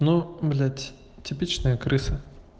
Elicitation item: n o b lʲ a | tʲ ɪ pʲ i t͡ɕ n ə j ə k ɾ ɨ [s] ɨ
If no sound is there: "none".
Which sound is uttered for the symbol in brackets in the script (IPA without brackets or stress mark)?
s